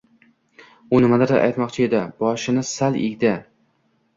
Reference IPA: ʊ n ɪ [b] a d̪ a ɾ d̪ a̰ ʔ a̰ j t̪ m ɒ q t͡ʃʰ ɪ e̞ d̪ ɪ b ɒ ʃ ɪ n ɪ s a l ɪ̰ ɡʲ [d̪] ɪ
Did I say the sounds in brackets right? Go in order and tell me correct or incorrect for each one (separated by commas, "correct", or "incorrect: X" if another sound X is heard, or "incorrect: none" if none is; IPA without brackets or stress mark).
incorrect: m, correct